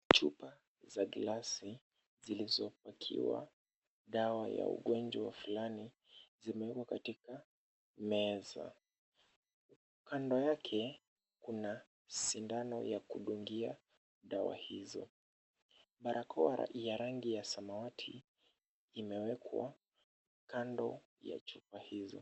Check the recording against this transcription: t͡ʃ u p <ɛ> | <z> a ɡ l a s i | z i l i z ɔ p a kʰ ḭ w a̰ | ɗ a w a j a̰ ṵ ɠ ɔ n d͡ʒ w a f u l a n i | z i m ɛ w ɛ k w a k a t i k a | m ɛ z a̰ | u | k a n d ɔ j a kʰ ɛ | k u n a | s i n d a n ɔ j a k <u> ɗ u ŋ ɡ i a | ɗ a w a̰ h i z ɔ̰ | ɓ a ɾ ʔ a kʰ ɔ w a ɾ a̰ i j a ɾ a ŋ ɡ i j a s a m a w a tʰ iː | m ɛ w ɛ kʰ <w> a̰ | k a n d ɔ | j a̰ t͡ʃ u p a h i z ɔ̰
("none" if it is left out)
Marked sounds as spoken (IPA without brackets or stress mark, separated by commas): a, z, u, w